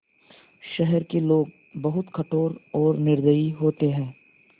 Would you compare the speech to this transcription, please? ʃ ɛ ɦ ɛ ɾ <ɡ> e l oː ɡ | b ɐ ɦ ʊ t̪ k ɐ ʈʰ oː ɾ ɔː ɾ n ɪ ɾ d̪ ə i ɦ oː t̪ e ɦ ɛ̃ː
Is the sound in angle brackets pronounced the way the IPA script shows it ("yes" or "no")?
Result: no